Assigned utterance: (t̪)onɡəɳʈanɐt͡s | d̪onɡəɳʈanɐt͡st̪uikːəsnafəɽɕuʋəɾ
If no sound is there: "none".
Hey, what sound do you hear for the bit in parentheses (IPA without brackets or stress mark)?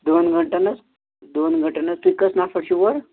d̪